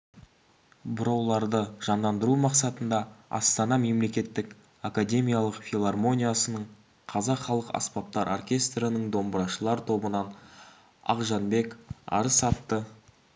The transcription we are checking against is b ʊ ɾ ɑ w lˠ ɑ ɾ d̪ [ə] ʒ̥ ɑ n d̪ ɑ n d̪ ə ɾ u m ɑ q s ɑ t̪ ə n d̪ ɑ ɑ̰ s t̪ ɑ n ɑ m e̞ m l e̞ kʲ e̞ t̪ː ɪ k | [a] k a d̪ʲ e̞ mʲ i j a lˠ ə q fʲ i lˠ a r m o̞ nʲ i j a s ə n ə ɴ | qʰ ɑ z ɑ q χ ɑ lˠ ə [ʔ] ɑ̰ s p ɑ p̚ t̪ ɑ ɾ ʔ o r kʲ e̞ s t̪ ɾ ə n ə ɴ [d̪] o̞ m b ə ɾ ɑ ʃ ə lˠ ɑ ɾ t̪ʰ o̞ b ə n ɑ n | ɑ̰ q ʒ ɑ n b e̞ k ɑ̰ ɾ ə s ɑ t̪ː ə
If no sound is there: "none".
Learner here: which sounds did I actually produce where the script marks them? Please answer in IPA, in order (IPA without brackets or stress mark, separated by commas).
ə, a, q, d̪